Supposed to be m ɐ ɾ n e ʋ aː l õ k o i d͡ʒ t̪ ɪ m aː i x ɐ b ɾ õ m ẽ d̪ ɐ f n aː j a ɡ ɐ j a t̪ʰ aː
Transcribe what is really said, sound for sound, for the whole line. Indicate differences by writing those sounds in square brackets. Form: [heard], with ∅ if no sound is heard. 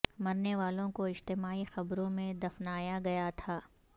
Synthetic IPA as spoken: m ɐ ɾ n e ʋ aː l õ k o [ɪ] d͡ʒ t̪ ɪ m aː i x ɐ b ɾ õ m ẽ d̪ ɐ f n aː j a ɡ ɐ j a t̪ʰ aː